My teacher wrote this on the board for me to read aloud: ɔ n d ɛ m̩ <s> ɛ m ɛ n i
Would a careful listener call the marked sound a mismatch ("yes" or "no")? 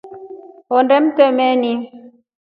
yes